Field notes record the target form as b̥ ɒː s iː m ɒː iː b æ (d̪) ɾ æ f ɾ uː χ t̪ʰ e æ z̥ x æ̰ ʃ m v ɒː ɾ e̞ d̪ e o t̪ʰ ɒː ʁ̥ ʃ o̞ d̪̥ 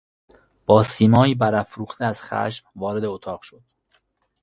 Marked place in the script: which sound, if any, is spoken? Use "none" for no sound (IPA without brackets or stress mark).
none